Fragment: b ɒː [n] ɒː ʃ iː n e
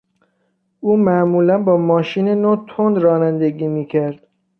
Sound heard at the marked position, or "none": m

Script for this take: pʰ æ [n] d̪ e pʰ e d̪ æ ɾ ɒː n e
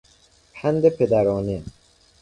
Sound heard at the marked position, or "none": n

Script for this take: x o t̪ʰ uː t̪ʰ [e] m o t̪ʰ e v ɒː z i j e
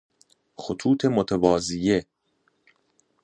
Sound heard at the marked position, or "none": e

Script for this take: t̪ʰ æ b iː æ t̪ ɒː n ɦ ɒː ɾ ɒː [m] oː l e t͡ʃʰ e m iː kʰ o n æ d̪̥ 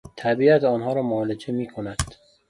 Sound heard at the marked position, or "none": m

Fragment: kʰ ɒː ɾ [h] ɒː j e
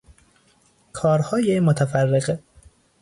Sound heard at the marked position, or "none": h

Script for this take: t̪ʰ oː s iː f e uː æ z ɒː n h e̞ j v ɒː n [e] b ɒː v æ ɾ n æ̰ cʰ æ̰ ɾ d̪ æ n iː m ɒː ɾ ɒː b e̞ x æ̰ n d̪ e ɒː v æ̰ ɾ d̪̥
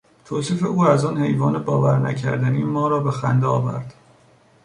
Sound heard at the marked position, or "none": e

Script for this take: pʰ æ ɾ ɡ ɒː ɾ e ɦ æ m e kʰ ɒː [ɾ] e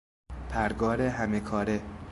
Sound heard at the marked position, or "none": ɾ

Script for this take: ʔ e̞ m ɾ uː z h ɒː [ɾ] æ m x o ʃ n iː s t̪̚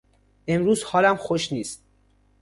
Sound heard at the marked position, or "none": l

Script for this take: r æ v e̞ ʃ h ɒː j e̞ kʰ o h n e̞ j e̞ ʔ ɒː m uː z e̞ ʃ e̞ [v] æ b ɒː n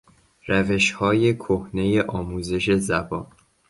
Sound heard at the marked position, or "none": z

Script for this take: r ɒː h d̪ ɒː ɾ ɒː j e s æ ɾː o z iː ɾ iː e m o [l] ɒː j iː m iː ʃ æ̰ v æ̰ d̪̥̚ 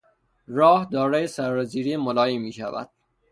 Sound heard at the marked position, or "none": l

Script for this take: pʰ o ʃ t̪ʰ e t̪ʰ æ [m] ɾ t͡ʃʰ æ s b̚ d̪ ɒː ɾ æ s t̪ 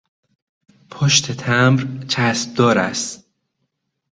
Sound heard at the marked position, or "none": m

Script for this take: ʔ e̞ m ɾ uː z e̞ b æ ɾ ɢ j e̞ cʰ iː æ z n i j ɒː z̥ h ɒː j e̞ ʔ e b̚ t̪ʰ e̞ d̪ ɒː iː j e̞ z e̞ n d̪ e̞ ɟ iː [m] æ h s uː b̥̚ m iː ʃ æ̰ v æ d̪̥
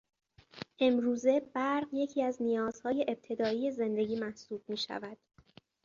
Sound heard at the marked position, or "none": m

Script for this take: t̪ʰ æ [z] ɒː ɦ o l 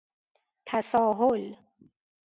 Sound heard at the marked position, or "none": s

